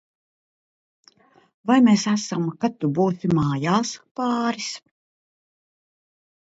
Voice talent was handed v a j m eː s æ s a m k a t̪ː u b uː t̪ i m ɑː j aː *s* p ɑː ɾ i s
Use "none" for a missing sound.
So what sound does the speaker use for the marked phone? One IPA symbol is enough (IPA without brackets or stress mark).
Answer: s